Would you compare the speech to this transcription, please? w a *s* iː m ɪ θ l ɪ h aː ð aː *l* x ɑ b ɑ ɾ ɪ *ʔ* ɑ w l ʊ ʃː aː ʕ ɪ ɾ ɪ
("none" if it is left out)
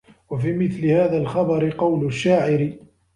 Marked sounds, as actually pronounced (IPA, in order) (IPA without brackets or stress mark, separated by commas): f, l, q